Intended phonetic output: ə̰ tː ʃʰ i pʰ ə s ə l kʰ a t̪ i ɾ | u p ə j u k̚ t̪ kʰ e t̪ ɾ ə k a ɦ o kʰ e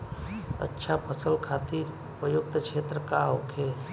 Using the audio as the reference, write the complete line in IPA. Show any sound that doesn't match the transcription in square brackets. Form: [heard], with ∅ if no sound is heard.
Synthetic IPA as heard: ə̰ tː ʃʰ [a] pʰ ə s ə l kʰ a t̪ i ɾ | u p ə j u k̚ t̪ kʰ e t̪ ɾ ə k a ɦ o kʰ e